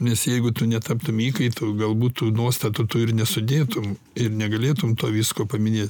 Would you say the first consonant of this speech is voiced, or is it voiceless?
voiced